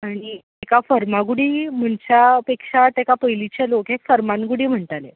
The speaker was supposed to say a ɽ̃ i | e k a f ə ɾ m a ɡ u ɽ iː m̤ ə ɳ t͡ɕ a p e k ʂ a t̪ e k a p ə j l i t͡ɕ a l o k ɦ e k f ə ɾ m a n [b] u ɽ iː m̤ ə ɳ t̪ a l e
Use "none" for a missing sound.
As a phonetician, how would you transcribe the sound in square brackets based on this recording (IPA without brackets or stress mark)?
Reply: ɡ